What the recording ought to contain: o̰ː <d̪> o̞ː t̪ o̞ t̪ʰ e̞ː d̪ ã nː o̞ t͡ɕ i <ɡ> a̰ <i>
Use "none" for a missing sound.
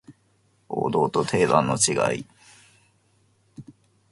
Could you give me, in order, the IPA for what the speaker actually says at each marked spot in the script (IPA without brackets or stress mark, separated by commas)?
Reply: d̪, ɡ, i